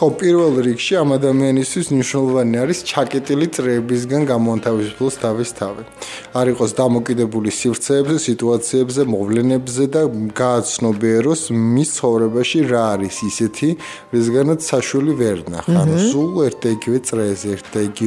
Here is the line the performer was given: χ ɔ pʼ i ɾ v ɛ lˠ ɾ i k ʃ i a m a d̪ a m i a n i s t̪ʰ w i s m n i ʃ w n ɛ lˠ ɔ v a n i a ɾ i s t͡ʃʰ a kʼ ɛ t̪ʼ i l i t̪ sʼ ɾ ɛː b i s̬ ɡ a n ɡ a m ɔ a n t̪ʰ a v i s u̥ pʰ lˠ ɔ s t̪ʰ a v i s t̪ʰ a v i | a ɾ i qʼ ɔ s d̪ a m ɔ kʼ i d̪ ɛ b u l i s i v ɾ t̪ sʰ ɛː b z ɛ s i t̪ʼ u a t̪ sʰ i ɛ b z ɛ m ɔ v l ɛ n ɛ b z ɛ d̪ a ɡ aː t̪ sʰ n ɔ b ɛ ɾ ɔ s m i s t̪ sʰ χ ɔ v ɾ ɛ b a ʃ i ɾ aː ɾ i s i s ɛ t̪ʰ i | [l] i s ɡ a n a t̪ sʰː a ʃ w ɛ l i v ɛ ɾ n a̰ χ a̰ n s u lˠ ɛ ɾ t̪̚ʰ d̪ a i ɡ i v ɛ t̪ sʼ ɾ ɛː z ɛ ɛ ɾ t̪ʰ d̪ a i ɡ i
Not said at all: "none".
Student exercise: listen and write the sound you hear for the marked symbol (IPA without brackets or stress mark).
ɾ